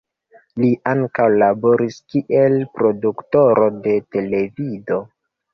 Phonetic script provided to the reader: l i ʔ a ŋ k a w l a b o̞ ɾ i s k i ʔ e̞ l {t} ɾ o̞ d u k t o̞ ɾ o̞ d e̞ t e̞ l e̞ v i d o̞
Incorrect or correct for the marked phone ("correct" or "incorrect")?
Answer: incorrect